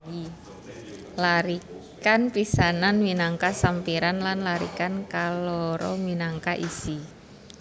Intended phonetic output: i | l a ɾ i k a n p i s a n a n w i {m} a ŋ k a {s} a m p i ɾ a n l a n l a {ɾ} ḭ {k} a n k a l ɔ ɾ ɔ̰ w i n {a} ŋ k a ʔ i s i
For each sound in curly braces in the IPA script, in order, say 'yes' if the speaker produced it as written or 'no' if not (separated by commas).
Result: no, yes, yes, yes, yes